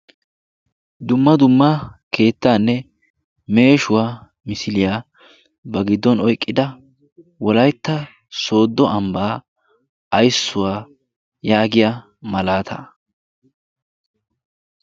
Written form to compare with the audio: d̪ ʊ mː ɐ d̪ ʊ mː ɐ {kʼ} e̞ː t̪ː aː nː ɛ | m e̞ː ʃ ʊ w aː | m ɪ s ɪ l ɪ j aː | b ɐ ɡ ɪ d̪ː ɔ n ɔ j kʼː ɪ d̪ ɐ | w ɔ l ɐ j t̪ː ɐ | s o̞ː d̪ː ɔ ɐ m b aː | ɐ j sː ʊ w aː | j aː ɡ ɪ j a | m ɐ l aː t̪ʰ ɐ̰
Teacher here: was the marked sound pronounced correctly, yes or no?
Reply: no